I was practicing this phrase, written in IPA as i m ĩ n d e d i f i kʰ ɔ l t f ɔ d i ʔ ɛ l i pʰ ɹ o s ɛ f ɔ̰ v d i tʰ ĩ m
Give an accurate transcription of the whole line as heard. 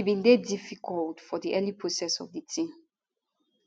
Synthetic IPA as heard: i b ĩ n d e d i f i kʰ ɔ l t f ɔ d i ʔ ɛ l i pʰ ɹ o s ɛ s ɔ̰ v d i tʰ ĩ m